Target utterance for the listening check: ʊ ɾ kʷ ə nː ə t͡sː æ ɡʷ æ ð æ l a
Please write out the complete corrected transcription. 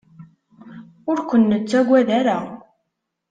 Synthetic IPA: ʊ ɾ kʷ ə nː ə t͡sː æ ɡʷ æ ð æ ɾ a